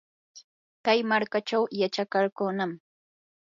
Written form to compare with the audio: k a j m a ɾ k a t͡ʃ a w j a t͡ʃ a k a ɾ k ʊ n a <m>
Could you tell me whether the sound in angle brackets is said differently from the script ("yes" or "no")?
no